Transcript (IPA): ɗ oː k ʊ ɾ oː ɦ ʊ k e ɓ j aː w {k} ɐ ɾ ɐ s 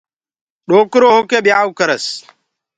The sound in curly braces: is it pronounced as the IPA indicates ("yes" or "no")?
yes